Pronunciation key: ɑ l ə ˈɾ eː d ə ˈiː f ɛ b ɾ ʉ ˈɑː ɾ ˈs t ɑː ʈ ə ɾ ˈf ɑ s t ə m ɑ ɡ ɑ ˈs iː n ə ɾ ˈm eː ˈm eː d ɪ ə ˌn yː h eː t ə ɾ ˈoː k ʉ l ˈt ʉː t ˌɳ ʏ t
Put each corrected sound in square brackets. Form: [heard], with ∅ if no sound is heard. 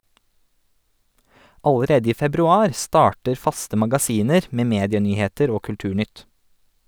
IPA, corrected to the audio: ɑ l ə ˈɾ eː d ə ˈiː f ɛ b ɾ ʉ ˈɑː ɾ ˈs t ɑː ʈ ə ɾ ˈf ɑ s t ə m ɑ ɡ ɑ ˈs iː n ə ɾ ˈm eː ˈm eː d ɪ ə ˌn yː h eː t ə ɾ ˈoː k ʉ l ˈt ʉː [∅] ˌɳ ʏ t